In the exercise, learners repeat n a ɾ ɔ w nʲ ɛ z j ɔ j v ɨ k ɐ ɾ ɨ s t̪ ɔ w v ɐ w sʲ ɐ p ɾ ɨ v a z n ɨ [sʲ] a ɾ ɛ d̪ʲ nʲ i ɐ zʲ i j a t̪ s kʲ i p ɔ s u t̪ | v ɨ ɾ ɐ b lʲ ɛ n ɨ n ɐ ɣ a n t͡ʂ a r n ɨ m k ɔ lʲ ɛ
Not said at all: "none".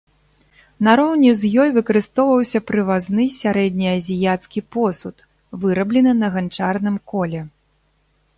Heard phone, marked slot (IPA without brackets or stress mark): sʲ